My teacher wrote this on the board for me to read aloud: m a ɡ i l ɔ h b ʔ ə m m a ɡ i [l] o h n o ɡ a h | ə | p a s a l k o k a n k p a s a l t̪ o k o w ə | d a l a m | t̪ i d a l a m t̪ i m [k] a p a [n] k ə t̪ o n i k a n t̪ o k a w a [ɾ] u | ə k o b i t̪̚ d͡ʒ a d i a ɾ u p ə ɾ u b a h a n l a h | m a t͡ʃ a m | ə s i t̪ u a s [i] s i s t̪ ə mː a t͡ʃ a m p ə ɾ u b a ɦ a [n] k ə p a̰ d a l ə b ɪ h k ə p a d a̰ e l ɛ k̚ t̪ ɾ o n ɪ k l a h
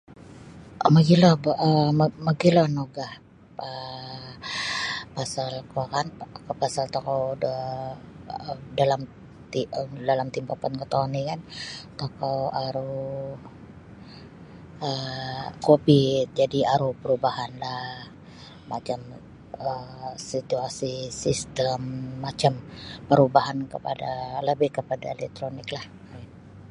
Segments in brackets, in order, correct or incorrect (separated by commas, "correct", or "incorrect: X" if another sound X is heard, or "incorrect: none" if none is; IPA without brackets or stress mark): correct, incorrect: p, correct, correct, correct, correct